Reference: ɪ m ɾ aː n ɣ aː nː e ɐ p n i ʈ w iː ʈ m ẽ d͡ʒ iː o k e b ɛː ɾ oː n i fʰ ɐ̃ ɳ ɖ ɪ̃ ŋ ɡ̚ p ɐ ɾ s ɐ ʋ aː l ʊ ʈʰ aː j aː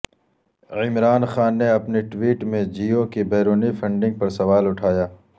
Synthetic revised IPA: ɪ m ɾ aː n x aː nː e ɐ p n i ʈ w iː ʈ m ẽ d͡ʒ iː o k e b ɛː ɾ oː n i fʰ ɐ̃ ɳ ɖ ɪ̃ ŋ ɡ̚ p ɐ ɾ s ɐ ʋ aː l ʊ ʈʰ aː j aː